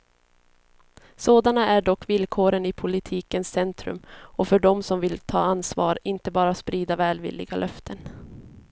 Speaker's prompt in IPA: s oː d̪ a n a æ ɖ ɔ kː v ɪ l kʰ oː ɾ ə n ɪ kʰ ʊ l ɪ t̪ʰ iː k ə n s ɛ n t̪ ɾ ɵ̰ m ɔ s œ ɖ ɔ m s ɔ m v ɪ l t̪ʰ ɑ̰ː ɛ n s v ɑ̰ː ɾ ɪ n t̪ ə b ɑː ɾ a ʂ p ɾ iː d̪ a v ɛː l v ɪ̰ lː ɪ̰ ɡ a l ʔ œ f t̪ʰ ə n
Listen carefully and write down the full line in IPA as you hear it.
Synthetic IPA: s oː d̪ a n a æ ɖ ɔ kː v ɪ l kʰ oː ɾ ə n ɪ pʰ ʊ l ɪ t̪ʰ iː k ə n s ɛ n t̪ ɾ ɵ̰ m ɔ f œ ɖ ɔ m s ɔ m v ɪ l t̪ʰ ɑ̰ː a n s v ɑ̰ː ɾ ɪ n t̪ ə b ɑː ɾ a s p ɾ iː d̪ a v ɛː l v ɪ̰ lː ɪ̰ ɡ a l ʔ œ f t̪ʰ ə n